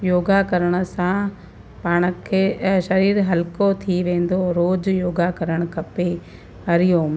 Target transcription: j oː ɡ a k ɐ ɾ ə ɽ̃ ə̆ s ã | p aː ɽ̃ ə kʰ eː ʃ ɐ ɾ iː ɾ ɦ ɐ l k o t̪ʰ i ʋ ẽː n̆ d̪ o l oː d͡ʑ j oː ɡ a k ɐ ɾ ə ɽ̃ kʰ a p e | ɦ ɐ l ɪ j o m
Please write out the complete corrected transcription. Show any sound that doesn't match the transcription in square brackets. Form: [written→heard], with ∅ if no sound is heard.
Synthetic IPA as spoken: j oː ɡ a k ɐ ɾ ə ɽ̃ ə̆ s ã | p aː ɽ̃ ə kʰ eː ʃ ɐ ɾ iː ɾ ɦ ɐ l k o t̪ʰ i ʋ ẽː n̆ d̪ o [l→ɾ] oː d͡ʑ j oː ɡ a k ɐ ɾ ə ɽ̃ kʰ [a→ɐ] p e | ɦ ɐ [l→ɾ] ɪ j o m